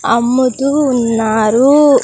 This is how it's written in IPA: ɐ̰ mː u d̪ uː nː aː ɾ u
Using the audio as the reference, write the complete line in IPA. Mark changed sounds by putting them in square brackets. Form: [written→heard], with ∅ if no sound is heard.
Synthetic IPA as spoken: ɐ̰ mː u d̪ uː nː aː ɾ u